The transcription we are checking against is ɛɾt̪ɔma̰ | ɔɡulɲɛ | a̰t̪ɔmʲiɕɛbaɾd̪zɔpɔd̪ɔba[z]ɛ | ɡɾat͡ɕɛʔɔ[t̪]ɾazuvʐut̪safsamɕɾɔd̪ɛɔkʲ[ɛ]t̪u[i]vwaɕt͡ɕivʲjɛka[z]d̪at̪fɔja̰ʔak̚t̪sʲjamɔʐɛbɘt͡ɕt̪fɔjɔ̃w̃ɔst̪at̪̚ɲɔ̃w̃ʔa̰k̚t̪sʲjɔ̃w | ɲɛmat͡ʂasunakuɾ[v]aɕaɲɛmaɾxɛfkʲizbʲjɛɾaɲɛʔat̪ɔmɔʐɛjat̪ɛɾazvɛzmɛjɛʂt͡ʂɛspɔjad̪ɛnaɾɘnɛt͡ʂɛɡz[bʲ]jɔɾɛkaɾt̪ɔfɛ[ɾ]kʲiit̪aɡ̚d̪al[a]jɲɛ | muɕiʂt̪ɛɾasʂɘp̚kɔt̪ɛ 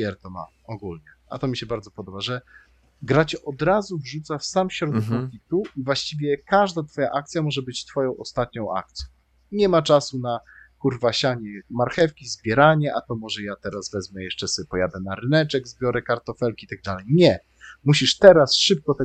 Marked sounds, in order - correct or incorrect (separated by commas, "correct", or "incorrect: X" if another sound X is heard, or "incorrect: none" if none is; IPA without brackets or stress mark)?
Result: incorrect: ʐ, incorrect: d̪, incorrect: i, correct, incorrect: ʐ, correct, correct, incorrect: l, incorrect: ɛ